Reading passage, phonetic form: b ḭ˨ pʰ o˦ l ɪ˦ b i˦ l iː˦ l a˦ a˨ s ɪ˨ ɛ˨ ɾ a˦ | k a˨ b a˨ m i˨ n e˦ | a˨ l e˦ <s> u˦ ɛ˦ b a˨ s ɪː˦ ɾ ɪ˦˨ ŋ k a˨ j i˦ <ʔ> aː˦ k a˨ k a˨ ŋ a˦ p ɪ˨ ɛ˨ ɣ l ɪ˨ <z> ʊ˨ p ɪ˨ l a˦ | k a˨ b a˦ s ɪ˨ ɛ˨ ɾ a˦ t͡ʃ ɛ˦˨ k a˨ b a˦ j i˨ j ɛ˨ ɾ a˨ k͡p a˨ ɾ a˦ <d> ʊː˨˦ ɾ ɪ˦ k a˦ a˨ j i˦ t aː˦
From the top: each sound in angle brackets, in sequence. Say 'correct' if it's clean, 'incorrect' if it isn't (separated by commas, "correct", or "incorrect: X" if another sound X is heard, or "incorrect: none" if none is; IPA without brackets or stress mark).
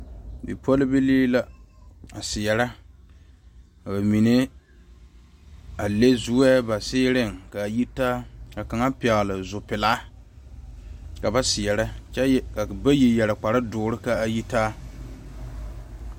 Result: incorrect: z, incorrect: t, correct, correct